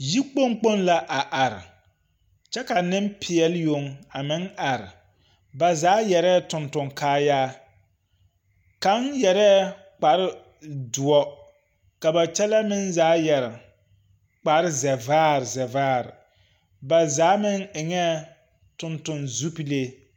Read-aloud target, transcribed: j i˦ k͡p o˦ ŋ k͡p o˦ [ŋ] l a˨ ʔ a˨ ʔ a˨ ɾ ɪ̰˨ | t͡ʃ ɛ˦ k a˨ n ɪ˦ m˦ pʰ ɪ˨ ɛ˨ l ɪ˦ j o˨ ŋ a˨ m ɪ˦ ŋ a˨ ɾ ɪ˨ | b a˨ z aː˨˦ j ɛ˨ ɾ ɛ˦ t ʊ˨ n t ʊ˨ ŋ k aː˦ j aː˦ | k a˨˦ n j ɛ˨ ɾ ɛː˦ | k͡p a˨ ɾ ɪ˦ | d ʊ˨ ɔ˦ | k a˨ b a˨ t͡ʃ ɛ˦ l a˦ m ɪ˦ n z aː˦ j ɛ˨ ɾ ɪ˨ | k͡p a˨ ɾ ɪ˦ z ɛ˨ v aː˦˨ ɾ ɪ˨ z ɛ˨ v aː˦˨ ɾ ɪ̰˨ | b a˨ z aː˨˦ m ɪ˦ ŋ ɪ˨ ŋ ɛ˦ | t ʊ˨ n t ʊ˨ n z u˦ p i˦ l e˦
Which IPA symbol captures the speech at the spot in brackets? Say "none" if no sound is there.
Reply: n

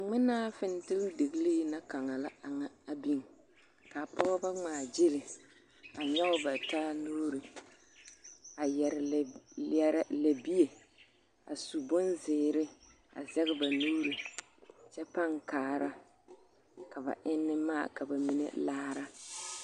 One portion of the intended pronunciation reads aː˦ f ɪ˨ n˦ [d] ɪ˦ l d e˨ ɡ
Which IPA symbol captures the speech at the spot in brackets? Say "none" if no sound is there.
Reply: t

